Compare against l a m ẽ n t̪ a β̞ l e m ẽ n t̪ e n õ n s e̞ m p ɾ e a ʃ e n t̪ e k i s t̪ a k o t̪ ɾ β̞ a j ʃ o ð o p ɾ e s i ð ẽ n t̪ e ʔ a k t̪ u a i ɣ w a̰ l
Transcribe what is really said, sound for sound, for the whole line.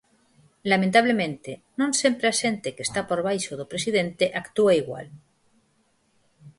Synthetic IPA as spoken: l a m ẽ n t̪ a β̞ l e m ẽ n t̪ e n õ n s e̞ m p ɾ e a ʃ e n t̪ e k e s t̪ a p o ɾ β̞ a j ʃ o ð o p ɾ e s i ð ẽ n t̪ e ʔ a k t̪ u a i ɣ w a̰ l